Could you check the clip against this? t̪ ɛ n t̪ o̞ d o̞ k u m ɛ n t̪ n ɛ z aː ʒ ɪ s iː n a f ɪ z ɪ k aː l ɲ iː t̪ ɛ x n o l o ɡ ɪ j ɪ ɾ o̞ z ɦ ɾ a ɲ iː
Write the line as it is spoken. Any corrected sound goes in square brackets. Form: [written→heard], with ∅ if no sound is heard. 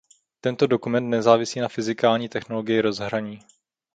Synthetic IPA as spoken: t̪ ɛ n t̪ o̞ d o̞ k u m ɛ n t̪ n ɛ z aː [ʒ→v] ɪ s iː n a f ɪ z ɪ k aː l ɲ iː t̪ ɛ x n o l o ɡ ɪ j ɪ ɾ o̞ z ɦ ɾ a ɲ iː